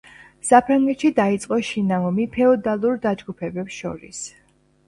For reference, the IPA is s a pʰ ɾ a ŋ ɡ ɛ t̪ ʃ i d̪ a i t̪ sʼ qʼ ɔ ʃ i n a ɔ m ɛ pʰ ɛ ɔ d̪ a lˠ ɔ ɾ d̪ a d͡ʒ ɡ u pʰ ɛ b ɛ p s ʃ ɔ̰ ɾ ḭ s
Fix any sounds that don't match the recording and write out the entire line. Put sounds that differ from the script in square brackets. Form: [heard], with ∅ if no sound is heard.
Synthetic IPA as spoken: s a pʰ ɾ a ŋ ɡ ɛ t̪ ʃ i d̪ a i t̪ sʼ qʼ ɔ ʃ i n a ɔ m [i] pʰ ɛ ɔ d̪ a lˠ [u] ɾ d̪ a d͡ʒ ɡ u pʰ ɛ b ɛ p s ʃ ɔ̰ ɾ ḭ s